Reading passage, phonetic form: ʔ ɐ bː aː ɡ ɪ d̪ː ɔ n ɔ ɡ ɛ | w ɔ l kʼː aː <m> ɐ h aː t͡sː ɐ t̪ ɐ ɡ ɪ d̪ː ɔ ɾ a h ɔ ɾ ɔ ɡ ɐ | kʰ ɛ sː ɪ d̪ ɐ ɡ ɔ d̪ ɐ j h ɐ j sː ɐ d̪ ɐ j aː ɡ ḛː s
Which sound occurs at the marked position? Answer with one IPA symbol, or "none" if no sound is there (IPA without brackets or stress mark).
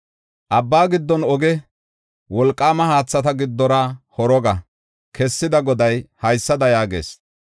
m